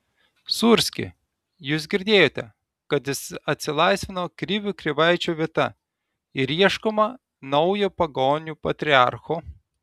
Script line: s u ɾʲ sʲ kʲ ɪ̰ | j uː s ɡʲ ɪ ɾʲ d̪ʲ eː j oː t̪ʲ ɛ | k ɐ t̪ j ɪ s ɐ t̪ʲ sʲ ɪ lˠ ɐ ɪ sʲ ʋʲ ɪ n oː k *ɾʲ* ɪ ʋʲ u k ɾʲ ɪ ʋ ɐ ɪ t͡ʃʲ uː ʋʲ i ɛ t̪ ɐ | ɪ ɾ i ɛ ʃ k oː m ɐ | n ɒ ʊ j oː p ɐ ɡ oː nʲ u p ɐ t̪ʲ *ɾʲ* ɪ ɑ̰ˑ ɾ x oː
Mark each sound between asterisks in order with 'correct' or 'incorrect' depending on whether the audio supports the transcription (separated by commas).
correct, correct